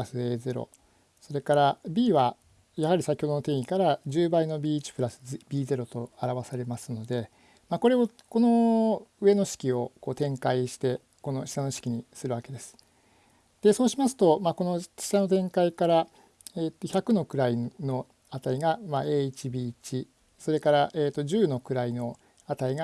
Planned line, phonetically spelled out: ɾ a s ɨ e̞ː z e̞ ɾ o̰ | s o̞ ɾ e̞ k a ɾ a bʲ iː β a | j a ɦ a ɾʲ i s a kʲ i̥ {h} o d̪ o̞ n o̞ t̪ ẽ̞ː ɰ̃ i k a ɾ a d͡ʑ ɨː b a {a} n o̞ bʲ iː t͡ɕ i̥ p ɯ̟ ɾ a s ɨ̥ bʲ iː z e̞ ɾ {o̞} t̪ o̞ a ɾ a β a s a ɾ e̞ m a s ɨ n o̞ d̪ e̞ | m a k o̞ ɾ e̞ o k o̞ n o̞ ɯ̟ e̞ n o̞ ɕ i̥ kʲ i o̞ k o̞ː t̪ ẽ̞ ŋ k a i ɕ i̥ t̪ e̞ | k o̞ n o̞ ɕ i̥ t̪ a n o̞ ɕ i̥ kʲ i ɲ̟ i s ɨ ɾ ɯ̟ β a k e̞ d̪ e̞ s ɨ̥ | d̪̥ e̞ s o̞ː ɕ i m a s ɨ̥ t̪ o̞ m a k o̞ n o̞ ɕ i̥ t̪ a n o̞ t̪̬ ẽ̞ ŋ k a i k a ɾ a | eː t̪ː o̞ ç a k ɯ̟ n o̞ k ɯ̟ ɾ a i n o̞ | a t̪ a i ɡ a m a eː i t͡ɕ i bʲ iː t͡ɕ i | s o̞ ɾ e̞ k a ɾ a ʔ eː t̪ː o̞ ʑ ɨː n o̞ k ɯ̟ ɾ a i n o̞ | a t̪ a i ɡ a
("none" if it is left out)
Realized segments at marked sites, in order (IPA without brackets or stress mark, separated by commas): h, i, o̞